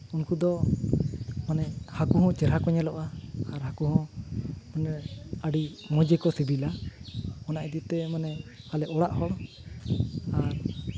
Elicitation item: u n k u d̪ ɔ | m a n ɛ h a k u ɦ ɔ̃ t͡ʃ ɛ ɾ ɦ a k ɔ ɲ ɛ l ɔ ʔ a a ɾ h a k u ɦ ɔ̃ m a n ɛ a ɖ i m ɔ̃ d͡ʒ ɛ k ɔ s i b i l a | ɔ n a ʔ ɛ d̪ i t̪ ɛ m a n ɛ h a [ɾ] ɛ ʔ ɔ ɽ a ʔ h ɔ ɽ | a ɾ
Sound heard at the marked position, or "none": l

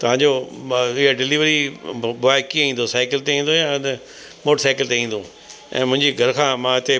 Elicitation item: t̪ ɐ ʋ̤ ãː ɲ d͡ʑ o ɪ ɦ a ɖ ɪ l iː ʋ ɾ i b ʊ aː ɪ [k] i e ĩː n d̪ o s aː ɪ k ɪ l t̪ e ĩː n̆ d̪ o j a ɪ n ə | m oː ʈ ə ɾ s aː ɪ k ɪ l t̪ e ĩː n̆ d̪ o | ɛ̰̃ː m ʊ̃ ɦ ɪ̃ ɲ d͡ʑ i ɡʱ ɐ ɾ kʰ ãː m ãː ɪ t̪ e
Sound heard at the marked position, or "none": k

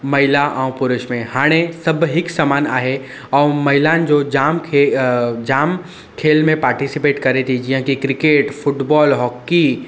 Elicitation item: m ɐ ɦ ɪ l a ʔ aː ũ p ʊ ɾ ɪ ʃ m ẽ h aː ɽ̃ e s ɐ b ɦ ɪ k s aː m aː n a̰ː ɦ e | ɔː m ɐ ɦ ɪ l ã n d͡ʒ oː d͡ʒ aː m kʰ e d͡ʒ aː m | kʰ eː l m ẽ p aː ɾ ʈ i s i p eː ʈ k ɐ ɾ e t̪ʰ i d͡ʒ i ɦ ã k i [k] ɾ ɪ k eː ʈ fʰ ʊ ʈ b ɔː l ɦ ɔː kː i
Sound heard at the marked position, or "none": k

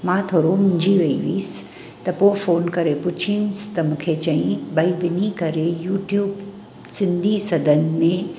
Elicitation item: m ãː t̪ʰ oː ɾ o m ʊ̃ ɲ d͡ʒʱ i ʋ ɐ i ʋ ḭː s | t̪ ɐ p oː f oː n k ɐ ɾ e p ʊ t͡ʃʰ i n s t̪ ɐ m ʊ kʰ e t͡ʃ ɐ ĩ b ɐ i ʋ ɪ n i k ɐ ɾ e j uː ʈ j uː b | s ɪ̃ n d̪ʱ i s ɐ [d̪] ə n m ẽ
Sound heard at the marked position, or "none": d̪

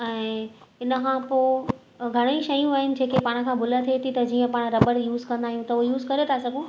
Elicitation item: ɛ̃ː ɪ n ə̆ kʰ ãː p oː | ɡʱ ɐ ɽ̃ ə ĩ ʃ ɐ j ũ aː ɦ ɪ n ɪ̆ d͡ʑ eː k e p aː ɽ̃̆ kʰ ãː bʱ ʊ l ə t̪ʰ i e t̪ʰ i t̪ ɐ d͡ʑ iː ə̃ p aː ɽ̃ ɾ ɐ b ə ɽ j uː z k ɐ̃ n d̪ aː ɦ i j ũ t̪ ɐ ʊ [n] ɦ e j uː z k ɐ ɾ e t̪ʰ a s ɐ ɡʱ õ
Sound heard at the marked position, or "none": none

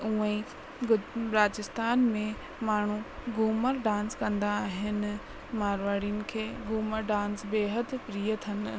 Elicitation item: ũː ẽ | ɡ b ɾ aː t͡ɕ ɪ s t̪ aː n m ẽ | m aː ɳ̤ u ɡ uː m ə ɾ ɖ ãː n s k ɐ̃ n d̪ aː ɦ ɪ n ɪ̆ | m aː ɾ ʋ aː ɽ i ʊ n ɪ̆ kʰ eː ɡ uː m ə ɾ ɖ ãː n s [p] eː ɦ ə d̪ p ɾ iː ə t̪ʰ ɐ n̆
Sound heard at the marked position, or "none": b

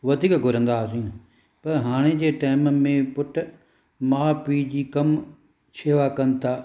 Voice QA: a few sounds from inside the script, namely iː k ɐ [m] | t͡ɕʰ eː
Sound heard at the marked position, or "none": m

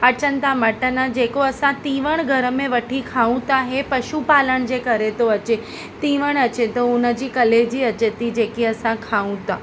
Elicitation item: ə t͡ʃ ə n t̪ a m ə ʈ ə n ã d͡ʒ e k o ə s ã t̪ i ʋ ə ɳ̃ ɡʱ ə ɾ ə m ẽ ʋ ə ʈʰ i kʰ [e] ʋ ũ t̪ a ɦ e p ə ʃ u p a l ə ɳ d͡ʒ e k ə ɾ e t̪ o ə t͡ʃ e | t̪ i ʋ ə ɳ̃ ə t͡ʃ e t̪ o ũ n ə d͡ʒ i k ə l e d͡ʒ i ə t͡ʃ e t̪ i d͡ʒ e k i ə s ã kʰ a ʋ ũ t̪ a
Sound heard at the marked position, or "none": a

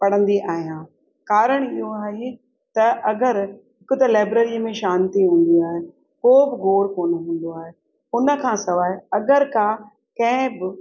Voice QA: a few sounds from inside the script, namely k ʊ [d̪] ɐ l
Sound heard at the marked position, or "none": t̪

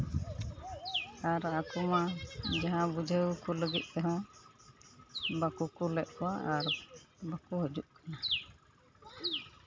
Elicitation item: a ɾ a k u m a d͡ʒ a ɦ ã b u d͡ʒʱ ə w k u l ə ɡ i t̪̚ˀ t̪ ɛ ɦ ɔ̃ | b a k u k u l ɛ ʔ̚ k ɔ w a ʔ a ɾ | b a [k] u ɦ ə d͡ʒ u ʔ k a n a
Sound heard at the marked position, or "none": k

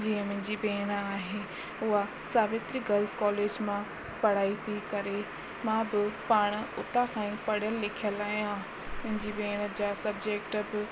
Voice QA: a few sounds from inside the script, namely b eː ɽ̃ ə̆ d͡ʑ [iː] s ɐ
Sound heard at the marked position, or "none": aː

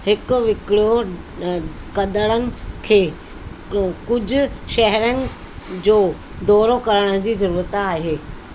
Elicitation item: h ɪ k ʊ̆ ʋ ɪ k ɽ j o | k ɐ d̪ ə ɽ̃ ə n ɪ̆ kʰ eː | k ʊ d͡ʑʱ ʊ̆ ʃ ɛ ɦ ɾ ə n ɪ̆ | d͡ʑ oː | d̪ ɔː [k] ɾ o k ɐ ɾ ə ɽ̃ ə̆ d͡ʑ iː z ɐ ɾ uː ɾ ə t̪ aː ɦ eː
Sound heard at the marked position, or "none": none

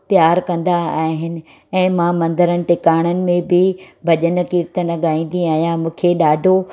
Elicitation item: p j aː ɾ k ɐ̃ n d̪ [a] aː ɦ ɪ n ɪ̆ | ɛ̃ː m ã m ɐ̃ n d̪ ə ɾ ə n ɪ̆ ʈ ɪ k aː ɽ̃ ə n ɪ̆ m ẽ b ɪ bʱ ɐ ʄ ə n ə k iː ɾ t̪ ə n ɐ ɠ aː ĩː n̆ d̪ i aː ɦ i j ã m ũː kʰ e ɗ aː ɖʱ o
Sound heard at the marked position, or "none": a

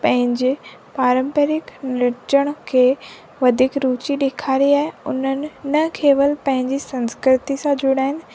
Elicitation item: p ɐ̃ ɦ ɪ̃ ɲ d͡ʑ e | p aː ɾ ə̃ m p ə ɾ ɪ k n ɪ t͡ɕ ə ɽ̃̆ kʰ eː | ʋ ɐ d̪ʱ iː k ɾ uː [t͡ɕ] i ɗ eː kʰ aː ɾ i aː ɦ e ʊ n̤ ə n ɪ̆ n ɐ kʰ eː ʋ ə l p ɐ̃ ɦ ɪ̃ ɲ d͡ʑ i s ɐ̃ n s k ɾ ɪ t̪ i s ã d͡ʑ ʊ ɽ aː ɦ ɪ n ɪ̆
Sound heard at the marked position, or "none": t͡ɕ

